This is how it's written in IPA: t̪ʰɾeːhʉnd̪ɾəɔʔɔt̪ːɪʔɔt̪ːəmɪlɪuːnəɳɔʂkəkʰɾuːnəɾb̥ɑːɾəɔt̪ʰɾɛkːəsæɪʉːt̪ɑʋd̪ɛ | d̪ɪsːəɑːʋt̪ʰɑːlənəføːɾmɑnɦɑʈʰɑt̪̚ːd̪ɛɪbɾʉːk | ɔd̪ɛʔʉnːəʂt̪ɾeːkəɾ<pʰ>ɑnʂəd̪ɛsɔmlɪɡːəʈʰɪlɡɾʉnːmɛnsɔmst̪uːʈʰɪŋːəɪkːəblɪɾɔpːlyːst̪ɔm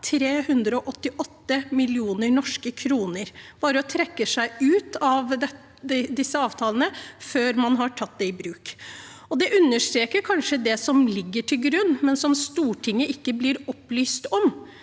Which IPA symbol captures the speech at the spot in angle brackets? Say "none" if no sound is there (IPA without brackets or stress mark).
kʰ